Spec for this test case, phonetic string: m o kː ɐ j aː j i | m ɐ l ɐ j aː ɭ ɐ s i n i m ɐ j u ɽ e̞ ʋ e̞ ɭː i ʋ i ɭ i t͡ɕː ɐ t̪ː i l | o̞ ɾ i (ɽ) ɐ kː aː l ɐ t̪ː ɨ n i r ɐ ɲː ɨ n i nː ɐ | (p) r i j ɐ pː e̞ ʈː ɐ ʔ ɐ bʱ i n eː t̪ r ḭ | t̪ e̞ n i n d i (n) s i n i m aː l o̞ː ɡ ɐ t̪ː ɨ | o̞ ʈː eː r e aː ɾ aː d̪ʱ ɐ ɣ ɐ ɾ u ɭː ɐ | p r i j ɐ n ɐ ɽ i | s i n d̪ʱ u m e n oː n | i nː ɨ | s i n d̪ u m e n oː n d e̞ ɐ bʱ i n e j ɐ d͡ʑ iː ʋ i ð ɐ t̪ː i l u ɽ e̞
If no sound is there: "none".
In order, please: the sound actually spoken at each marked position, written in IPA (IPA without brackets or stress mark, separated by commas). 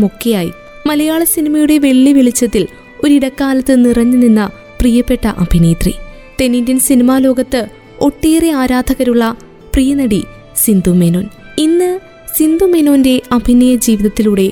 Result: ɽ, p, n